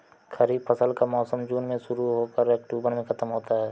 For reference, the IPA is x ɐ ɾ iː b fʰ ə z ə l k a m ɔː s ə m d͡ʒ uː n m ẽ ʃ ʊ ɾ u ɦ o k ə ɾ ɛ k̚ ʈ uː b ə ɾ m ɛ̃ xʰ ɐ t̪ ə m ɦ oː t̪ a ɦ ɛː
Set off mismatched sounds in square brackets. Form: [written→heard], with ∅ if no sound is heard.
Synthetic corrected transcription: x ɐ ɾ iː b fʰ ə [z→s] ə l k a m ɔː s ə m d͡ʒ uː n m ẽ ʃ ʊ ɾ u ɦ o k ə ɾ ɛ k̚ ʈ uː b ə ɾ m [ɛ̃→ẽ] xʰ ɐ t̪ ə m ɦ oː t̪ a ɦ ɛː